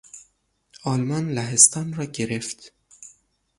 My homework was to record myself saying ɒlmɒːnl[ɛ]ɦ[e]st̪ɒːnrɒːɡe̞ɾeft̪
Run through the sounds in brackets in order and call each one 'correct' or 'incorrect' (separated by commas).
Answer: incorrect, correct